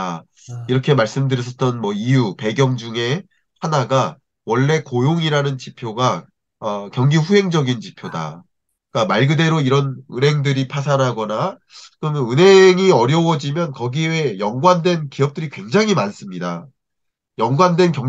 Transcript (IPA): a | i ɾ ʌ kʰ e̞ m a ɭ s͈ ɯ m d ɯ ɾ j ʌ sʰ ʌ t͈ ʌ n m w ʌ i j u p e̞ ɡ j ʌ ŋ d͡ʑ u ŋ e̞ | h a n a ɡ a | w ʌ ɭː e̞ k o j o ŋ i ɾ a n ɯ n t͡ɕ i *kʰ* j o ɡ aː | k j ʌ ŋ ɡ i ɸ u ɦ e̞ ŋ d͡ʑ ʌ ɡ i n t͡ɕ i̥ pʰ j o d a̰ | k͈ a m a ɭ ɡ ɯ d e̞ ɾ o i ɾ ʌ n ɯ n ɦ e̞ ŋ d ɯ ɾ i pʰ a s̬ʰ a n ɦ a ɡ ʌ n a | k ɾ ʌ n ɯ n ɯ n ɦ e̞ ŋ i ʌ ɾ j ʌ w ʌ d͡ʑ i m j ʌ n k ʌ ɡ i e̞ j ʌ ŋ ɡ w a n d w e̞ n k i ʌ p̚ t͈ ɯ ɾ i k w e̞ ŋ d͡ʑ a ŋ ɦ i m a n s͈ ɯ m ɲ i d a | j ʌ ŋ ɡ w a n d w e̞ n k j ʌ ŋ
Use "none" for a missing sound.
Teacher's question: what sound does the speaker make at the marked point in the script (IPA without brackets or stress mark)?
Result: pʰ